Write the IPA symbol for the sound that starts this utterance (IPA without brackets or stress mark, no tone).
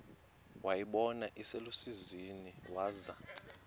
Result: w